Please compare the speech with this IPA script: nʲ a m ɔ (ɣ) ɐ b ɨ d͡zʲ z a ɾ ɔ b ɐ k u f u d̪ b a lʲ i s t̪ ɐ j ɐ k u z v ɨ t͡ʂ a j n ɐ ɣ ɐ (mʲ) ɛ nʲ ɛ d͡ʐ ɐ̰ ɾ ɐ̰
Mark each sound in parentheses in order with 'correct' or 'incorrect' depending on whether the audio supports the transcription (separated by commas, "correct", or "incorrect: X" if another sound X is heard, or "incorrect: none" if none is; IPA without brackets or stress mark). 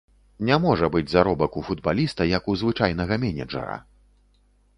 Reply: incorrect: ʐ, correct